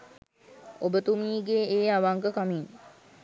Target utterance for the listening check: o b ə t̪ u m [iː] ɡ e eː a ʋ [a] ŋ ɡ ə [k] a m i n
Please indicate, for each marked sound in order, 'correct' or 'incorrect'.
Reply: correct, correct, correct

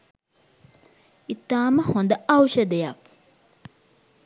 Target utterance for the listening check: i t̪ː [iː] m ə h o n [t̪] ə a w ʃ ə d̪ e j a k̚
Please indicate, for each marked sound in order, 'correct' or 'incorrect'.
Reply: incorrect, incorrect

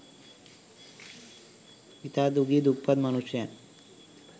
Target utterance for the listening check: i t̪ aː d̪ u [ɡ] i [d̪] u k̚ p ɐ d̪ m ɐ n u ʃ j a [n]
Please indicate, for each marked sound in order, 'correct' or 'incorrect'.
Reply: correct, correct, correct

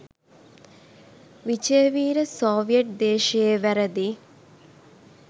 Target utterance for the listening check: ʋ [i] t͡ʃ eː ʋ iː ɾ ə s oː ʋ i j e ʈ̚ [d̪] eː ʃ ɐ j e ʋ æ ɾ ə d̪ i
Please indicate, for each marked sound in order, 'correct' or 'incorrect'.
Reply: correct, correct

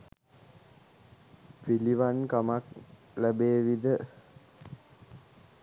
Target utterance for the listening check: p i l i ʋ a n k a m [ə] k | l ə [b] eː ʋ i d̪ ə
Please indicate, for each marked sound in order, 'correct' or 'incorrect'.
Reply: incorrect, correct

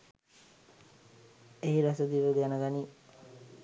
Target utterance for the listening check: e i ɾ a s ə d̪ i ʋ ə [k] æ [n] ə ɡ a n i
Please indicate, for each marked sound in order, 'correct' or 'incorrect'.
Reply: incorrect, correct

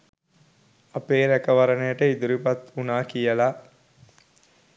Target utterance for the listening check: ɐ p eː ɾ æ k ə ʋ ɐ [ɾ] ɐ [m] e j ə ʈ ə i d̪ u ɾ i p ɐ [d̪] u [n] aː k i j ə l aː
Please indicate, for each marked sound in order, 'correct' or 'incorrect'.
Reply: correct, incorrect, incorrect, correct

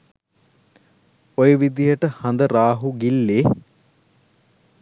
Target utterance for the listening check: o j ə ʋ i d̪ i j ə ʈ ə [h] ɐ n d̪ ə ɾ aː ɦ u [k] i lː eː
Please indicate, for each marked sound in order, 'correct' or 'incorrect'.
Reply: correct, incorrect

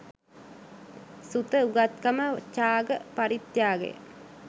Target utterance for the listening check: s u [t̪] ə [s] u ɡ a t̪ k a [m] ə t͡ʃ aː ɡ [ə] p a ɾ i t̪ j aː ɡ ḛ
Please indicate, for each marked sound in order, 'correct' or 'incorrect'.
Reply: correct, incorrect, correct, correct

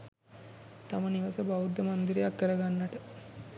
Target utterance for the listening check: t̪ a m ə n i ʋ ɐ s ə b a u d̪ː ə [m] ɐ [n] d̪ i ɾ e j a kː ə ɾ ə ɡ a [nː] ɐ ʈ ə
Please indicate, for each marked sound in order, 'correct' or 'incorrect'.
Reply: correct, correct, correct

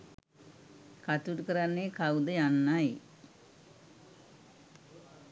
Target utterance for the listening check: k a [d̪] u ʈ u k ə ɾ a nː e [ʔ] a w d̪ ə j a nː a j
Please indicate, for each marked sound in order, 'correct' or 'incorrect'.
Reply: incorrect, incorrect

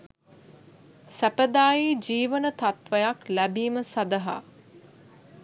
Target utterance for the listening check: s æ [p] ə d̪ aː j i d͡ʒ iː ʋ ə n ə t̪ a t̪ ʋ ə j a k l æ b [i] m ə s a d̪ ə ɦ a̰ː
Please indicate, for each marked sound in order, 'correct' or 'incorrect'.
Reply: correct, incorrect

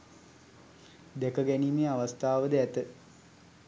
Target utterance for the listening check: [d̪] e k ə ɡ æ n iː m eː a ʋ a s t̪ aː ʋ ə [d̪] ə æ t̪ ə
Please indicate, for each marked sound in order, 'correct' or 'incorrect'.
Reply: correct, correct

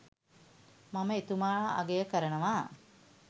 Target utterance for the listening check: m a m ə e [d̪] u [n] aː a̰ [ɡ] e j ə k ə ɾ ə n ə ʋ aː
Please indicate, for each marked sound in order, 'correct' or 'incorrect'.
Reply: incorrect, incorrect, correct

